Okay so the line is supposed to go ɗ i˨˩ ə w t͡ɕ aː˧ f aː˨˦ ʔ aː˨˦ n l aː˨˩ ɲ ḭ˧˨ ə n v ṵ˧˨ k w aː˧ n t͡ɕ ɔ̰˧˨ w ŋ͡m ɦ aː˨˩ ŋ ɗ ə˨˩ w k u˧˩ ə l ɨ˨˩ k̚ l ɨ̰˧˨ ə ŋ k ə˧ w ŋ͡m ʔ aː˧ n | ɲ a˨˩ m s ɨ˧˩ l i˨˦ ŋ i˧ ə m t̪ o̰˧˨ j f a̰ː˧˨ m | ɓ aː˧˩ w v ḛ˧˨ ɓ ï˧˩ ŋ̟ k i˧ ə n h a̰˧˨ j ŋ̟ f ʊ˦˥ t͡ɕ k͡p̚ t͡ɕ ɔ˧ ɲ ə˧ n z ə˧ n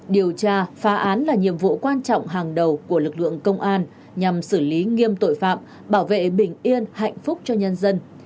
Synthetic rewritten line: ɗ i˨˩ ə w t͡ɕ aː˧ f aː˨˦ ʔ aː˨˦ n l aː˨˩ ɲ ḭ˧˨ ə m v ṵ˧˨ k w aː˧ n t͡ɕ ɔ̰˧˨ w ŋ͡m ɦ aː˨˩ ŋ ɗ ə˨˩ w k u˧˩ ə l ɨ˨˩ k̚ l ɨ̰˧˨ ə ŋ k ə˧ w ŋ͡m ʔ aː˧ n | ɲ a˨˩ m s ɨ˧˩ l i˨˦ ŋ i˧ ə m t̪ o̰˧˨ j f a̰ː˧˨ m | ɓ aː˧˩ w v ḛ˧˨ ɓ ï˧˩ ŋ̟ ʔ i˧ ə n h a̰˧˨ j ŋ̟ f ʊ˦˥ k͡p̚ t͡ɕ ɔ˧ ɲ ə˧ n z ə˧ n